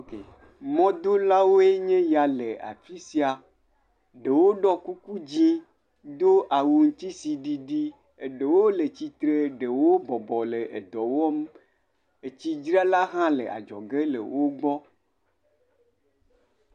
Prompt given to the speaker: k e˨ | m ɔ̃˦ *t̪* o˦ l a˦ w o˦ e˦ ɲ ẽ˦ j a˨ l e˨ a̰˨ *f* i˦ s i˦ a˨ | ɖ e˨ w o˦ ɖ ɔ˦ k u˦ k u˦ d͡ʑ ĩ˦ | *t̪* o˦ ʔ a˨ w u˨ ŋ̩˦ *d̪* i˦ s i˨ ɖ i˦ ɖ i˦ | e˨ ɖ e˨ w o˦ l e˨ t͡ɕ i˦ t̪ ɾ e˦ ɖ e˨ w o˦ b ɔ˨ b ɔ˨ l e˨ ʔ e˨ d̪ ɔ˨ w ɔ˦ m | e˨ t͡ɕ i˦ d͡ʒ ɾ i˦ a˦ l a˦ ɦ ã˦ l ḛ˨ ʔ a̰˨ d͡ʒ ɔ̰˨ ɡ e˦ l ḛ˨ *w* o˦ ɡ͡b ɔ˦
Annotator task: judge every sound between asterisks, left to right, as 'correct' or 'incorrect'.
incorrect: d̪, correct, incorrect: d̪, incorrect: t̪, correct

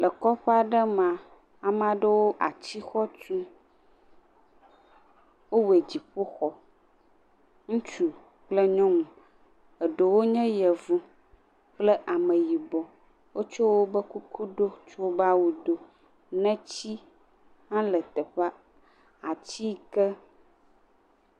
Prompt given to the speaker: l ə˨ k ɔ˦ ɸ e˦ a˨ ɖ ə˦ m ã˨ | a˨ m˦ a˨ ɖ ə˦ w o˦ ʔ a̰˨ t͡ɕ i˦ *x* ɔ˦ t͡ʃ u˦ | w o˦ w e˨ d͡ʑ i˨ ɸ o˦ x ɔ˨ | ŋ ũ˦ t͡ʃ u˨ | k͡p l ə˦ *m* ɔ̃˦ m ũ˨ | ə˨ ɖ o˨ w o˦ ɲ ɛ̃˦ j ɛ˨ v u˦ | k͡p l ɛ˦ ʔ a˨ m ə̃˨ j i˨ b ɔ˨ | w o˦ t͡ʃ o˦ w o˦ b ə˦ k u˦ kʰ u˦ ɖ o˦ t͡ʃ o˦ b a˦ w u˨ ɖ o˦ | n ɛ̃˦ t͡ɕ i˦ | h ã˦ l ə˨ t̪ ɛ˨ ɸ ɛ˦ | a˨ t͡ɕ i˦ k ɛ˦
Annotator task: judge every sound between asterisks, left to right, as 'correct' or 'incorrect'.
correct, incorrect: ɲ

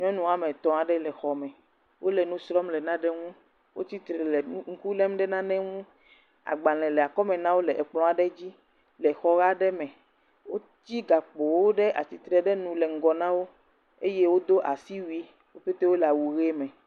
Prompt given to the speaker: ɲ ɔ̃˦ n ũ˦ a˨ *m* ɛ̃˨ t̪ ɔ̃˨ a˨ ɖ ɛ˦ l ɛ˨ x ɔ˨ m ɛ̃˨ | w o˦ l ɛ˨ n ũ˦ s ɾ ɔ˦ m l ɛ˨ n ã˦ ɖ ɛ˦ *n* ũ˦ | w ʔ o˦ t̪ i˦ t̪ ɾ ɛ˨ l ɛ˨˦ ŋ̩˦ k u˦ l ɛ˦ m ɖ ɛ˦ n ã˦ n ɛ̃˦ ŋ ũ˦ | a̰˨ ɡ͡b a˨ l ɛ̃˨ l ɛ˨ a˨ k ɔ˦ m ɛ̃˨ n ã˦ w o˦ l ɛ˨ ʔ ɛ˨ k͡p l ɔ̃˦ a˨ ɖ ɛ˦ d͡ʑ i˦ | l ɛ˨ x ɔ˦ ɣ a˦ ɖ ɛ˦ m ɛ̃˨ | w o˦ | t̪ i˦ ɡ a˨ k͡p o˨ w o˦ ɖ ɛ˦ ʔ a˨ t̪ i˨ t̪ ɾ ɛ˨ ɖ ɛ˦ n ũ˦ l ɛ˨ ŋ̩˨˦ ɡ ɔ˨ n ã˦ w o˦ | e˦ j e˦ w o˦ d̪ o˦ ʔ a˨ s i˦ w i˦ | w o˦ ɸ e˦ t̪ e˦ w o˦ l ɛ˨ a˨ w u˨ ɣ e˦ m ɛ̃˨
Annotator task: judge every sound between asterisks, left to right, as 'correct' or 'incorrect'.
correct, incorrect: ŋ

